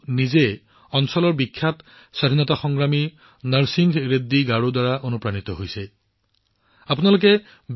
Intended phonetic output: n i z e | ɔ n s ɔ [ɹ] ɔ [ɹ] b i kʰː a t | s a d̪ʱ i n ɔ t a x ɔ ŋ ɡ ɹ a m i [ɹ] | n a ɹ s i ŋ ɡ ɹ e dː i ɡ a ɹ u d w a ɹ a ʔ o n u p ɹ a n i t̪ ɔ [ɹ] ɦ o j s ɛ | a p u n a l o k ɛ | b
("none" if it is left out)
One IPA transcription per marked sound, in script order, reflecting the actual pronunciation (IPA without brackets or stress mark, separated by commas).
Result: l, ɹ, none, none